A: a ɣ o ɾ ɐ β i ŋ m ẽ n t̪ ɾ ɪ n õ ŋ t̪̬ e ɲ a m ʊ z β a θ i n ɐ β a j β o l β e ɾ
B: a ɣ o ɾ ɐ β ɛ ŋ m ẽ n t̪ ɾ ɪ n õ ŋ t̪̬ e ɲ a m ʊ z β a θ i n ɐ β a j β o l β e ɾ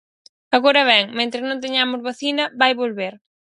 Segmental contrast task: B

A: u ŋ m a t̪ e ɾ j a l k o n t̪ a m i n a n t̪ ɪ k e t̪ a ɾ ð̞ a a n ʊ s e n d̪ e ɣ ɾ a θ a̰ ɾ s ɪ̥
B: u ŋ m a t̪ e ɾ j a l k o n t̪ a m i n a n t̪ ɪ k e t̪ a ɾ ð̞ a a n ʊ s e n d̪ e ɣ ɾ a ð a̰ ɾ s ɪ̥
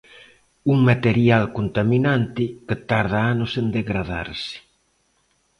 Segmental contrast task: B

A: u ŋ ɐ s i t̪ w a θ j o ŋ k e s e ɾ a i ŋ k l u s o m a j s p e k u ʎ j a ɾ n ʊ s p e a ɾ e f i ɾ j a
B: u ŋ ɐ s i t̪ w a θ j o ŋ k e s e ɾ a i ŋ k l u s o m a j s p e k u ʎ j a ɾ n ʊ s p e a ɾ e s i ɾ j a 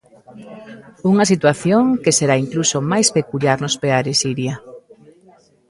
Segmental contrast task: B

